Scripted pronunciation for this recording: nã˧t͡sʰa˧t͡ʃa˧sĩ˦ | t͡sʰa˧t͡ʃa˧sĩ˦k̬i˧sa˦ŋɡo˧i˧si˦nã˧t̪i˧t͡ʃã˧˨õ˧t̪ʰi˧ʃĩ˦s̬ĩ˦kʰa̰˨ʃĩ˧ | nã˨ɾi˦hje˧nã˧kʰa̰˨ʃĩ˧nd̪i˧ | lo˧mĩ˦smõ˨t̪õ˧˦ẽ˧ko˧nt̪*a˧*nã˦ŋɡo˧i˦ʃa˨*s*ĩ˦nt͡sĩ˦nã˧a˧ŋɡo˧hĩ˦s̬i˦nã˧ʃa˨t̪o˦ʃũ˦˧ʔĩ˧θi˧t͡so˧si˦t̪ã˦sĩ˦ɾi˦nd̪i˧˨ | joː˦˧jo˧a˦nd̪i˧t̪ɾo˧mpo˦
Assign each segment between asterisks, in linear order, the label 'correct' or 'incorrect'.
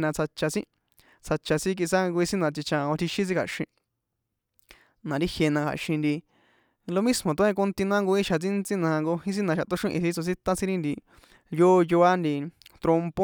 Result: incorrect, incorrect

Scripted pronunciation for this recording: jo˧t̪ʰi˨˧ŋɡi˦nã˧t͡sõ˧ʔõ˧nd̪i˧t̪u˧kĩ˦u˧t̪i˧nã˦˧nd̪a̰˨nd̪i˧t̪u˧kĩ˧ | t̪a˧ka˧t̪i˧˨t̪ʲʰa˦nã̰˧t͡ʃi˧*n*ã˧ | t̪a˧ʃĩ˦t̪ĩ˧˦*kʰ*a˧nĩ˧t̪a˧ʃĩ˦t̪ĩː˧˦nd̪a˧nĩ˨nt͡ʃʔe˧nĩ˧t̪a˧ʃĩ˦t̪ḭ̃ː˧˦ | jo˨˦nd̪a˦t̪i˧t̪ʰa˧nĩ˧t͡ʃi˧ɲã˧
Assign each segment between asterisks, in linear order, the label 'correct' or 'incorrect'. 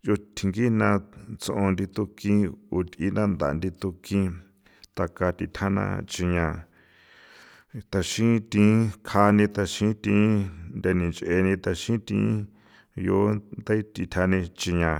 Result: incorrect, correct

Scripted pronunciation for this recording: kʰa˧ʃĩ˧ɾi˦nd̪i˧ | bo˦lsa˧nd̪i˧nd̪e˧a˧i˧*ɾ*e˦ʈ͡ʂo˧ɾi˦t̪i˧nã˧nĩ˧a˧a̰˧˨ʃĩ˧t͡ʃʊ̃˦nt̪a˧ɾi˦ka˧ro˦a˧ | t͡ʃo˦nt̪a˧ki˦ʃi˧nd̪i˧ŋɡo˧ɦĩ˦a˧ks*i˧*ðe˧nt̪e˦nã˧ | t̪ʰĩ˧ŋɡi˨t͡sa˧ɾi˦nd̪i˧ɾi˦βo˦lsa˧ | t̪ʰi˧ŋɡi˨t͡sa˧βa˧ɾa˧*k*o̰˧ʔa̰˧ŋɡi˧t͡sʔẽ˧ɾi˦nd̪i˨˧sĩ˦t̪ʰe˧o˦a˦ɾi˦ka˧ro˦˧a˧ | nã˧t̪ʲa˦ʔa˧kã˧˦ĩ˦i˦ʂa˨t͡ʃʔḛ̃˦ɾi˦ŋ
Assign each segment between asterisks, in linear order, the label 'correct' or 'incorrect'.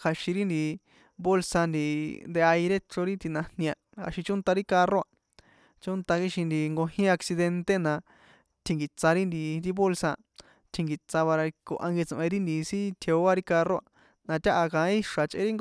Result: correct, correct, correct

